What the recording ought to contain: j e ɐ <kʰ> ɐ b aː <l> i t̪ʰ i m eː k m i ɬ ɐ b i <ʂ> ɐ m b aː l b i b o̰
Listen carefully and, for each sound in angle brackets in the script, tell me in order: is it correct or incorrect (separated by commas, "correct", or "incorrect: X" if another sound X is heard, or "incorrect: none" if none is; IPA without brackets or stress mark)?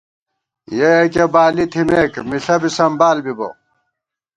incorrect: k, correct, incorrect: s